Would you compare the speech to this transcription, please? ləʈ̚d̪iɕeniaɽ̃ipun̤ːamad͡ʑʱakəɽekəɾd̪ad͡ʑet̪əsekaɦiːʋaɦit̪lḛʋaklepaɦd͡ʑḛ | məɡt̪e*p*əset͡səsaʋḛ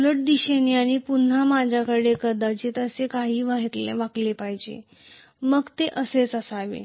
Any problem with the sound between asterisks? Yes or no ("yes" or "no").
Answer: yes